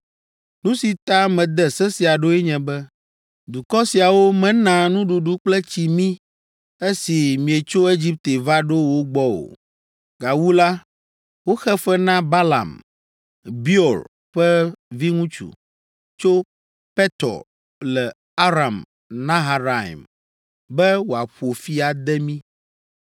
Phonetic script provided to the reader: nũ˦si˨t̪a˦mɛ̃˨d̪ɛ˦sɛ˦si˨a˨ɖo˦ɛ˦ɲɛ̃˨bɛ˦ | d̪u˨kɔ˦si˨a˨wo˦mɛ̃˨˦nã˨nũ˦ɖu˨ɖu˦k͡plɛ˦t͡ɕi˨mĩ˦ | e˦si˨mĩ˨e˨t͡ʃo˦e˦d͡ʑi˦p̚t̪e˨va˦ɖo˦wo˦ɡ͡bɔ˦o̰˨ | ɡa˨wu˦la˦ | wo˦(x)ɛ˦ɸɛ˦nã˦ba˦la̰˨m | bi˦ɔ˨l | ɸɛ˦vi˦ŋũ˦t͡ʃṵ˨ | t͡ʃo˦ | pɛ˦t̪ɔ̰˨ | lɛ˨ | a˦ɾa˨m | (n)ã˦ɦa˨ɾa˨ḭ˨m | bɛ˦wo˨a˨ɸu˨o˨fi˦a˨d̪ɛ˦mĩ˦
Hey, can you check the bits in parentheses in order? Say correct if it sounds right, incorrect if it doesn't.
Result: correct, correct

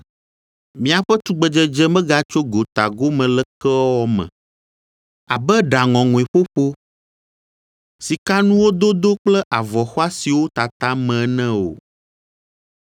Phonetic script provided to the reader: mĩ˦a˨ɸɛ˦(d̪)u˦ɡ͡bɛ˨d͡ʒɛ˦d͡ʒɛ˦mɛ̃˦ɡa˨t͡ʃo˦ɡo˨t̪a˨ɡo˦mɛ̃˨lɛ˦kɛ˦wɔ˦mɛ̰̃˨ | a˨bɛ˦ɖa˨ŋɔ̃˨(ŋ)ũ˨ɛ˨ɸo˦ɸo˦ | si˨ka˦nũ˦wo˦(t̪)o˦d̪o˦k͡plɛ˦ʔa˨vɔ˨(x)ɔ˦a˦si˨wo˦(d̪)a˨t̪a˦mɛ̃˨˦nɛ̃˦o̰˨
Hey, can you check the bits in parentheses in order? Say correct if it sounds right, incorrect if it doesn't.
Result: incorrect: t̪, correct, incorrect: d̪, correct, incorrect: t̪

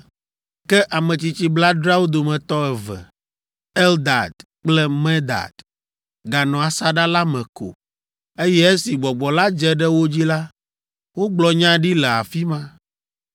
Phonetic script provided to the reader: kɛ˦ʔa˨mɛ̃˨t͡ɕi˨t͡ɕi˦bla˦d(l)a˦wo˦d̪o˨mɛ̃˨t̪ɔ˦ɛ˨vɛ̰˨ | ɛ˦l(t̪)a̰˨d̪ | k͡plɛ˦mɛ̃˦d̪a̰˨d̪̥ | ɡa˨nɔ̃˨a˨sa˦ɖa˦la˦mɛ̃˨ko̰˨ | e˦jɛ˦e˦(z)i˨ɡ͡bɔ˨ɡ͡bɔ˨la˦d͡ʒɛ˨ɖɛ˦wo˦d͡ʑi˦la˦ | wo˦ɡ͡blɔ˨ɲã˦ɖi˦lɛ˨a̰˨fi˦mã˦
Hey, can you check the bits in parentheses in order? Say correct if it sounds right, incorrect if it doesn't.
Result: incorrect: ɾ, incorrect: d̪, incorrect: s

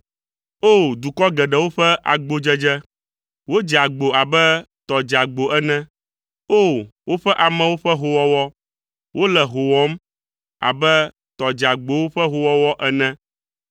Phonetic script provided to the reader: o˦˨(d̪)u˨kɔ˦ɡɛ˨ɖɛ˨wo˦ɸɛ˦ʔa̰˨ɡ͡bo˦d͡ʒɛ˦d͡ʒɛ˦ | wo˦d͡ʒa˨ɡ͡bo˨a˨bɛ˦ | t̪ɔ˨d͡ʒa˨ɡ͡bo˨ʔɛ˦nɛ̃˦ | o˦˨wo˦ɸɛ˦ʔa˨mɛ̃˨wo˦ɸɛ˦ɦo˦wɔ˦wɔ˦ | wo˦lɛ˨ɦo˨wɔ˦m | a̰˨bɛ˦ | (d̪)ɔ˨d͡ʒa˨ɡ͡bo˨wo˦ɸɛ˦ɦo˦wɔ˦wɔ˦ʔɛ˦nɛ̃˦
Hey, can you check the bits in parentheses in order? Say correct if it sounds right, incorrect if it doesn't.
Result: correct, incorrect: t̪

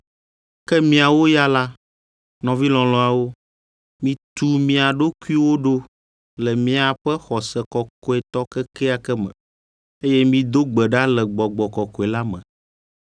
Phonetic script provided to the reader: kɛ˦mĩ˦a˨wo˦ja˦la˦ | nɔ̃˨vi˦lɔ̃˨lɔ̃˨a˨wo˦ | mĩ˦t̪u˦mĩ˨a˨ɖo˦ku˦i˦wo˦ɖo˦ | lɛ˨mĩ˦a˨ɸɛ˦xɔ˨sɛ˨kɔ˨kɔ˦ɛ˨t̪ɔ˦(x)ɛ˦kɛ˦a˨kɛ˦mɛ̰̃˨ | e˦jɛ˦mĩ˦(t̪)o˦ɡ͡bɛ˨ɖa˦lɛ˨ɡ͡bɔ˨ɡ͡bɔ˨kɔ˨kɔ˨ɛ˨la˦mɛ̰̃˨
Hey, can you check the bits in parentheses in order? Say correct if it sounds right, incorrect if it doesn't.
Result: incorrect: k, incorrect: d̪

